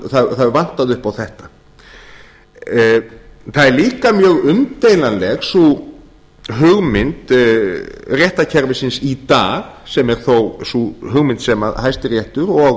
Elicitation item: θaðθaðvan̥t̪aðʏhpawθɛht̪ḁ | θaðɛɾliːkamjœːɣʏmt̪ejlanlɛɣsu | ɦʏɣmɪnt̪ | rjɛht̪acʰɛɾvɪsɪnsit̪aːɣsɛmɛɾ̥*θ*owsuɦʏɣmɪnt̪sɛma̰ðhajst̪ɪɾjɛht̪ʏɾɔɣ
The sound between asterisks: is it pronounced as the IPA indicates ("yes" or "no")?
yes